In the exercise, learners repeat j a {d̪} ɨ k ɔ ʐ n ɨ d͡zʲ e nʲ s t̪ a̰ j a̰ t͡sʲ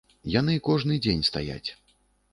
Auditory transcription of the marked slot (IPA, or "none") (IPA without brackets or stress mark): n̪